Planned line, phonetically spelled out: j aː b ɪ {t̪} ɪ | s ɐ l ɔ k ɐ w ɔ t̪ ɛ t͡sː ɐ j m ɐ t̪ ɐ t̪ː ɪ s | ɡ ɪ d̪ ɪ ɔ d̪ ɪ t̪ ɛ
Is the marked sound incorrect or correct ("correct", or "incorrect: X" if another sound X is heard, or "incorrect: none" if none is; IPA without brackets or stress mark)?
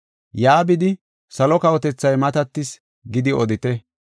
incorrect: d̪